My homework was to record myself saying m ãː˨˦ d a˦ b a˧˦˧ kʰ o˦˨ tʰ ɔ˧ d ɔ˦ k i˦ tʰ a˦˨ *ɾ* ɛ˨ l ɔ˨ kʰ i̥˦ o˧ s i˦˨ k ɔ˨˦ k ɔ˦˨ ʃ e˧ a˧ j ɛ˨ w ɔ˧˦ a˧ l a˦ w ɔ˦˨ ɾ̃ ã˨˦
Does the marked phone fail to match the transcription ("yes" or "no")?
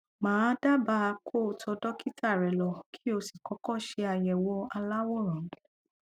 no